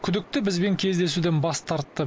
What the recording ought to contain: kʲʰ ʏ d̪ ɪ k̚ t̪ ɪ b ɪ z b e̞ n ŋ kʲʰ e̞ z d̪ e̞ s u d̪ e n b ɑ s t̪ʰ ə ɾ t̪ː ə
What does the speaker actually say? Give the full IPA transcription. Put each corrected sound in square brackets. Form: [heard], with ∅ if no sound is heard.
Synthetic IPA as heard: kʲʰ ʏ d̪ ɪ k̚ t̪ ɪ b ɪ z b e̞ [∅] ŋ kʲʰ e̞ z d̪ e̞ s u d̪ e n b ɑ s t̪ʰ [ɑ] ɾ t̪ː ə

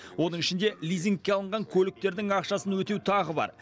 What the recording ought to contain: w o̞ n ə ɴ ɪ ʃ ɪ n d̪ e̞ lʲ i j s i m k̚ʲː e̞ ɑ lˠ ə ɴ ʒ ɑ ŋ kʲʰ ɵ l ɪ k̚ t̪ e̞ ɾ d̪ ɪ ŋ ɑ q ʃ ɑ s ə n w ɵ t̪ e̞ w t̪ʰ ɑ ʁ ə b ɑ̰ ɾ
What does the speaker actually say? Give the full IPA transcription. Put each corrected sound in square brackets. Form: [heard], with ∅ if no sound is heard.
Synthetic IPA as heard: w o̞ n ə ɴ ɪ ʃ ɪ n d̪ e̞ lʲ i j [z] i [ŋ] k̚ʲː e̞ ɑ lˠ ə ɴ [ʁ] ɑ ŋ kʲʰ ɵ l ɪ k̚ t̪ e̞ ɾ d̪ ɪ ŋ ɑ q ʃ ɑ s ə n w ɵ t̪ e̞ w t̪ʰ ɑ ʁ ə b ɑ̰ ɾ

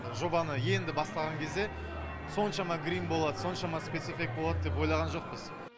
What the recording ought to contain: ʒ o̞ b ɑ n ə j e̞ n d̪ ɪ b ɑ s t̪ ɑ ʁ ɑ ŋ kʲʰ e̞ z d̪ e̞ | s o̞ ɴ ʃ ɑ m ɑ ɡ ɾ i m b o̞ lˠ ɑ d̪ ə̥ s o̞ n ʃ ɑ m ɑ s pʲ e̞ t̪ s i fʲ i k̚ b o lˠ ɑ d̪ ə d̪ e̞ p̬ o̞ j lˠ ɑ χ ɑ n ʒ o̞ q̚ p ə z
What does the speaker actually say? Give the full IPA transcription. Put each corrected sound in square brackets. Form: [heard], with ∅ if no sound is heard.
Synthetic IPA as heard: ʒ o̞ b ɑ n ə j e̞ n d̪ ɪ b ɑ s t̪ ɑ ʁ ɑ ŋ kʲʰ e̞ z d̪ e̞ | s o̞ [n] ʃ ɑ m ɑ ɡ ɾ i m b o̞ lˠ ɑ d̪ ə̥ s o̞ n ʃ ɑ m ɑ s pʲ e̞ t̪ s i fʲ i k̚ b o lˠ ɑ d̪ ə d̪ e̞ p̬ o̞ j lˠ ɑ [ʁ] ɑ n ʒ o̞ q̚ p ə z

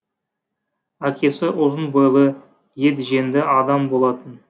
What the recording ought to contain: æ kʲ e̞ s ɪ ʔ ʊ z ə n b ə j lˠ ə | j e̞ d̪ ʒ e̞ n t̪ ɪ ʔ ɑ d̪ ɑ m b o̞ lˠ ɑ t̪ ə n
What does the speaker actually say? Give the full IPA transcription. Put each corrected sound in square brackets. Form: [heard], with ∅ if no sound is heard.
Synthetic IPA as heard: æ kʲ e̞ s ɪ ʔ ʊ z ə n b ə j lˠ ə | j e̞ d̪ ʒ e̞ n [d̪] ɪ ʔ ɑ d̪ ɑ m b o̞ lˠ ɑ t̪ ə n

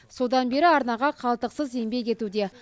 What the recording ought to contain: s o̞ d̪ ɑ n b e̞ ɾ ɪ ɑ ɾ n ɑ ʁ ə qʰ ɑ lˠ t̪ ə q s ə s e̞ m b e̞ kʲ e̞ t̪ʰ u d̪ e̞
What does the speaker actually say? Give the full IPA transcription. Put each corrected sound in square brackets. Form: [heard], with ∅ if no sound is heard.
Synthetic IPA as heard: s o̞ d̪ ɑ n b e̞ ɾ ɪ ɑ ɾ n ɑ ʁ [ɑ] qʰ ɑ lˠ t̪ ə q s ə [z] e̞ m b e̞ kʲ e̞ [t̪] u d̪ e̞

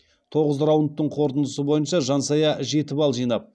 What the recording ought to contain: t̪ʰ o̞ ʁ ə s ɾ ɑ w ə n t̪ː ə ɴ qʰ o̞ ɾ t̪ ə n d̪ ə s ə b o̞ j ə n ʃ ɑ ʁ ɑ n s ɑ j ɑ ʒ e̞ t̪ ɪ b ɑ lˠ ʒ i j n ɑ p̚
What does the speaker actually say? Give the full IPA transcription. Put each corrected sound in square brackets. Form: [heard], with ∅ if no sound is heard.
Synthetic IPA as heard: t̪ʰ o̞ ʁ ə [z] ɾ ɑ w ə n t̪ː ə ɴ qʰ o̞ ɾ t̪ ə n d̪ ə s ə b o̞ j ə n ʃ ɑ [ʒ] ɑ n s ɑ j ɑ ʒ e̞ t̪ ɪ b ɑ lˠ ʒ i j n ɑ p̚

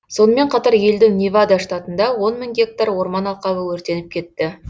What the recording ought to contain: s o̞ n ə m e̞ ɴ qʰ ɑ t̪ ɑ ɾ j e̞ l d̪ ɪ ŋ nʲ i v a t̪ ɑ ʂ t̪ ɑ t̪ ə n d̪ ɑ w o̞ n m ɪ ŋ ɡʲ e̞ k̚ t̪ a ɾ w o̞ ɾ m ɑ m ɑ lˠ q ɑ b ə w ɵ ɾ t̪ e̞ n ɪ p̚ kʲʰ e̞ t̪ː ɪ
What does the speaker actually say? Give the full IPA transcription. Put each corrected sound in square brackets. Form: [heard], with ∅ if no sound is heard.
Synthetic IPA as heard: s o̞ n ə m e̞ ɴ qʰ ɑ t̪ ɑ ɾ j e̞ l d̪ ɪ ŋ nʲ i v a [d̪] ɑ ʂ t̪ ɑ t̪ ə n d̪ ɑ w o̞ n m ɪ ŋ ɡʲ e̞ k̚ t̪ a ɾ w o̞ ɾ m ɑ [n] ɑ lˠ q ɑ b ə w ɵ ɾ t̪ e̞ n ɪ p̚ kʲʰ e̞ t̪ː ɪ

